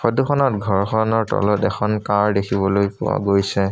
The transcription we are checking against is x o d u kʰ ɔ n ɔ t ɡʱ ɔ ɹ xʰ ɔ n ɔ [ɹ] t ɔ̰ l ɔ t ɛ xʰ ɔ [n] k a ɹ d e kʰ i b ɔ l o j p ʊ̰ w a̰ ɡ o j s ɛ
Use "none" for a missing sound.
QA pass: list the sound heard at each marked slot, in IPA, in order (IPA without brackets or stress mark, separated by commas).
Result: ɹ, n